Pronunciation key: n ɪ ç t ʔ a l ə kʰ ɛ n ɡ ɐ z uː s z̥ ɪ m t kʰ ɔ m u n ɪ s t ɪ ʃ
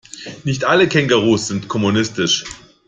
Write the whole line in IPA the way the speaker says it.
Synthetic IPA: n ɪ ç t ʔ a l ə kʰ ɛ ŋ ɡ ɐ ʁ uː s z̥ ɪ n t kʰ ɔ m u n ɪ s t ɪ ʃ